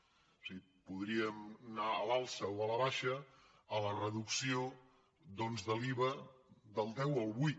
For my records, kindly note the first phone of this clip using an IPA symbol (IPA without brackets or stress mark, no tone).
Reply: s